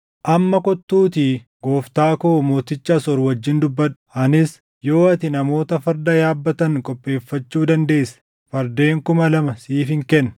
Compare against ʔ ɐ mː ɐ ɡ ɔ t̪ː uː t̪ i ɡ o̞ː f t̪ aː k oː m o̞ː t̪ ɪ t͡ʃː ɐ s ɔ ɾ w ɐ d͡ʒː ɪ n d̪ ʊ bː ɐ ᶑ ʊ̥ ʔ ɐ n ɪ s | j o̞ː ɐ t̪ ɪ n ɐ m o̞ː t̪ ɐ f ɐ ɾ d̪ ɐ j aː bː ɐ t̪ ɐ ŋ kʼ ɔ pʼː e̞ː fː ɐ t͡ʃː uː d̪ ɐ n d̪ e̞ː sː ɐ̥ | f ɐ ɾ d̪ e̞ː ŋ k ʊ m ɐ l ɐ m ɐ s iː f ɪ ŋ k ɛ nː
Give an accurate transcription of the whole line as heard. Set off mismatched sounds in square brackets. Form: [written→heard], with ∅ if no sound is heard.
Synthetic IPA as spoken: ʔ ɐ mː ɐ [ɡ→k] ɔ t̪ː uː t̪ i ɡ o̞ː f t̪ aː k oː m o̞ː t̪ ɪ t͡ʃː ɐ s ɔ ɾ w ɐ d͡ʒː ɪ n d̪ ʊ bː ɐ ᶑ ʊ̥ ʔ ɐ n ɪ s | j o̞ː ɐ t̪ ɪ n ɐ m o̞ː t̪ ɐ f ɐ ɾ d̪ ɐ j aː bː ɐ t̪ ɐ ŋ kʼ ɔ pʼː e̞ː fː ɐ t͡ʃː uː d̪ ɐ n d̪ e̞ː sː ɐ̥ | f ɐ ɾ d̪ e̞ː ŋ k ʊ m ɐ l ɐ m ɐ s iː f ɪ ŋ k ɛ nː

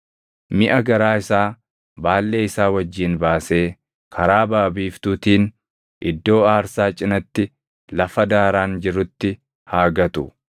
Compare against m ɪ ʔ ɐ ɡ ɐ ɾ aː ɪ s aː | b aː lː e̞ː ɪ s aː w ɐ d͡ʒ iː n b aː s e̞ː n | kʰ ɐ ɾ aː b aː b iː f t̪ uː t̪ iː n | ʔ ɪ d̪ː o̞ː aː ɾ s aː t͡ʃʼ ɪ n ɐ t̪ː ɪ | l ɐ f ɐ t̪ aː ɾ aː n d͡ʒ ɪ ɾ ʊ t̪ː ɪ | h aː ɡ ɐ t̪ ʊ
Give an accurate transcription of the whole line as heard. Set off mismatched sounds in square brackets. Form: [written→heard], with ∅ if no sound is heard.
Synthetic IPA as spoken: m ɪ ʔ ɐ ɡ ɐ ɾ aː ɪ s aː | b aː lː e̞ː ɪ s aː w ɐ [d͡ʒ→d͡ʒː] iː n b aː s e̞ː [n→∅] | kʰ ɐ ɾ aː b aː b iː f t̪ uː t̪ iː n | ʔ ɪ d̪ː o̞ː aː ɾ s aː t͡ʃʼ ɪ n ɐ t̪ː ɪ | l ɐ f ɐ [t̪→d̪] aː ɾ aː n d͡ʒ ɪ ɾ ʊ t̪ː ɪ | h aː ɡ ɐ t̪ ʊ

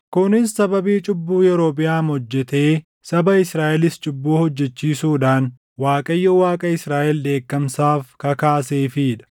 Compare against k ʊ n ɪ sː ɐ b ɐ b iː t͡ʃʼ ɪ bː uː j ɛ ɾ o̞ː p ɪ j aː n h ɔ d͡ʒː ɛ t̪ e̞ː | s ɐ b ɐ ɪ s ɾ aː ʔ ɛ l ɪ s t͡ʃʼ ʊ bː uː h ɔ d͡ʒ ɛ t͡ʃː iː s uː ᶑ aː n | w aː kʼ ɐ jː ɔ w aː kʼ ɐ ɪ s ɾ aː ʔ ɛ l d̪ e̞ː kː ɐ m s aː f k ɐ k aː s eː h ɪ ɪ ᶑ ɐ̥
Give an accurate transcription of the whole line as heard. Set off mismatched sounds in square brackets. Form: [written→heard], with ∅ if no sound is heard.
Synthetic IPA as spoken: k ʊ n ɪ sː ɐ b ɐ b iː t͡ʃʼ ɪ bː uː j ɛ ɾ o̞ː p ɪ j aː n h ɔ d͡ʒː ɛ t̪ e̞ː | s ɐ b ɐ ɪ s ɾ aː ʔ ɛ l ɪ s t͡ʃʼ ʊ bː uː h ɔ [d͡ʒ→d͡ʒː] ɛ t͡ʃː iː s uː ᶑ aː n | w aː kʼ ɐ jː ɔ w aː kʼ ɐ ɪ s ɾ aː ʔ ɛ l d̪ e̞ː kː ɐ m s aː f k ɐ k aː s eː [h→f] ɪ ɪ ᶑ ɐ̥

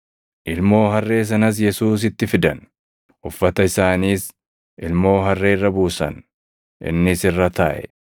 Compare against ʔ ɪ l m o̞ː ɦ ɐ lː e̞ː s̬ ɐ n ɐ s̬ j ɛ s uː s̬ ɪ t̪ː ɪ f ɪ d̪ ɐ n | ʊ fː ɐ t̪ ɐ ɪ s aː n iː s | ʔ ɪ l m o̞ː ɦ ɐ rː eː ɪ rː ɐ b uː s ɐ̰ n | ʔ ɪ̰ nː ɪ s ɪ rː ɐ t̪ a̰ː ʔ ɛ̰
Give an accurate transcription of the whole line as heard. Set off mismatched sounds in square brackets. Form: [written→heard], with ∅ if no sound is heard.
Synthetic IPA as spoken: ʔ ɪ l m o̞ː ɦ ɐ [lː→rː] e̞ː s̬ ɐ n ɐ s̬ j ɛ s uː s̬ ɪ t̪ː ɪ f ɪ d̪ ɐ n | ʊ fː ɐ t̪ ɐ ɪ s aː n iː s | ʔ ɪ l m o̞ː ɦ ɐ rː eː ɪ rː ɐ b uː s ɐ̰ n | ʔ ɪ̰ nː ɪ s ɪ rː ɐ t̪ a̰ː ʔ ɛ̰

